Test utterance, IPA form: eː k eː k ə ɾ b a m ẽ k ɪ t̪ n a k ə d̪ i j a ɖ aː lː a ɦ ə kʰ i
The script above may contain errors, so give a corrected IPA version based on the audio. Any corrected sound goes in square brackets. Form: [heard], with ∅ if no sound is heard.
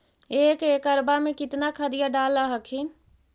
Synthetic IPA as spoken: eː k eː k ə ɾ b a m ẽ k ɪ t̪ n a [kʰ] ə d̪ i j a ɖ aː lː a ɦ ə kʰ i